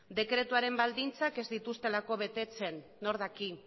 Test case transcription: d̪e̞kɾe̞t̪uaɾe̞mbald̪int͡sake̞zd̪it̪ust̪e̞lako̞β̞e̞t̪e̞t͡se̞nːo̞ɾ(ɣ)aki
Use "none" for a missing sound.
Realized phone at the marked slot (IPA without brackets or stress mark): ð